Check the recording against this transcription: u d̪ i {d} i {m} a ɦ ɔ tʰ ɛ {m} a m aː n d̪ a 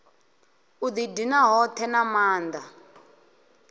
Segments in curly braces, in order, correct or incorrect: correct, incorrect: n, incorrect: n

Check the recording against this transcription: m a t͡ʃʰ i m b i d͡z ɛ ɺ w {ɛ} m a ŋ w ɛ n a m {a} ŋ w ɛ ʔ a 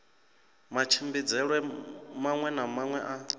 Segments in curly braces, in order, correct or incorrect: correct, correct

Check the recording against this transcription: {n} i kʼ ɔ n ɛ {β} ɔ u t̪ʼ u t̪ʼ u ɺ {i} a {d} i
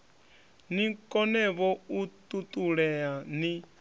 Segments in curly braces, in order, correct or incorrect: correct, correct, incorrect: ɛ, incorrect: n

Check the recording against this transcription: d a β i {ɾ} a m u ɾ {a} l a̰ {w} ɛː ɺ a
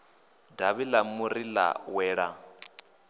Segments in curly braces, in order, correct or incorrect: incorrect: l, incorrect: i, correct

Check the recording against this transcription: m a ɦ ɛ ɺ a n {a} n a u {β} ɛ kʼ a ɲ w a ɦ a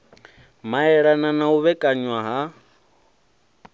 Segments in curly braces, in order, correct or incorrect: correct, correct

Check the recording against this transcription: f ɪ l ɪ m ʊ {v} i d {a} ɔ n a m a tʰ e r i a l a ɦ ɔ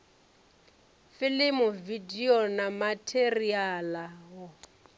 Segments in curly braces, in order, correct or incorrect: correct, incorrect: i

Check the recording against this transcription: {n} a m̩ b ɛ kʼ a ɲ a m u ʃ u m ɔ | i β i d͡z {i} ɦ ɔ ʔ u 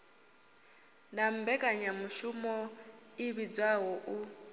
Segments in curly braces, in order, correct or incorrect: correct, incorrect: a

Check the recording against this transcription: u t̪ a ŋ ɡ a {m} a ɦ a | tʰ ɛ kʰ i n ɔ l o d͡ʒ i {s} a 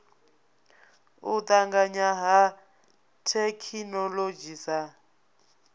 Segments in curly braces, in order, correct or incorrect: incorrect: ɲ, correct

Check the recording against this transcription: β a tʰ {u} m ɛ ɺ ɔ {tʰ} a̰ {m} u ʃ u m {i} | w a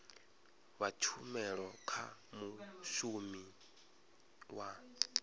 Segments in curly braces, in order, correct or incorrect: correct, incorrect: kʰ, correct, correct

